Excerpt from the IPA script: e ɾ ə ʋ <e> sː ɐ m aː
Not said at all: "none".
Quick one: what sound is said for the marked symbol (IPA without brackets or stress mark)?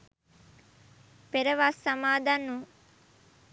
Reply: a